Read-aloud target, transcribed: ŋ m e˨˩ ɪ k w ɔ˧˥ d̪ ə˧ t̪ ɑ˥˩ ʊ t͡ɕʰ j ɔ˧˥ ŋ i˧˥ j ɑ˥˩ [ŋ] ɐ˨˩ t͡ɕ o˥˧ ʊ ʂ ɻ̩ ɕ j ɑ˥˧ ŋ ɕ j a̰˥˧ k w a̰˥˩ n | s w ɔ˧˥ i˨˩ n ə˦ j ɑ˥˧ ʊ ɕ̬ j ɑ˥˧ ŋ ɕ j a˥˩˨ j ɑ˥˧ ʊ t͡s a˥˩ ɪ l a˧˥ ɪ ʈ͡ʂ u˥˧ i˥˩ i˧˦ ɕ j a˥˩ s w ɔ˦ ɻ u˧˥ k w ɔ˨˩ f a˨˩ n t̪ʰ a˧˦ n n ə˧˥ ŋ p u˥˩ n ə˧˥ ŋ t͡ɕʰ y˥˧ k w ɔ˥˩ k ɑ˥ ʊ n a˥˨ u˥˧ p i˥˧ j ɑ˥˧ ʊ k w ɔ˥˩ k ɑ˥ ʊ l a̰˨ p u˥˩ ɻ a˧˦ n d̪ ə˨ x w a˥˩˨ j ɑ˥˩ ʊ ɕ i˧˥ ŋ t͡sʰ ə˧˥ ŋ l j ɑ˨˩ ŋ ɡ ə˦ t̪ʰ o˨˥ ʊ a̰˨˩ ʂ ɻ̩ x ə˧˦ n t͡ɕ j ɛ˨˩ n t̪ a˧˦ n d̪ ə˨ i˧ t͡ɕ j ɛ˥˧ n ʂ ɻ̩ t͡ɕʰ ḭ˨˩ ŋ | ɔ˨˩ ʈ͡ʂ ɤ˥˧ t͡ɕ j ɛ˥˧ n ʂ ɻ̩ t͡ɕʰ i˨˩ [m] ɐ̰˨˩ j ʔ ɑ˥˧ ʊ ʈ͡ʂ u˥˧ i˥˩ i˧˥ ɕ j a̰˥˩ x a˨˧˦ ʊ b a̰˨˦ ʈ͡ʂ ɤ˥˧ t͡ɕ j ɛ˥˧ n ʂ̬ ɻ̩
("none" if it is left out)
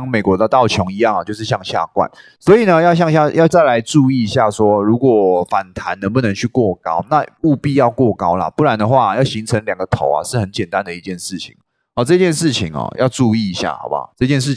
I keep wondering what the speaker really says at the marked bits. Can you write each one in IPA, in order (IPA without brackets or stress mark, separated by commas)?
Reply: ŋ, ŋ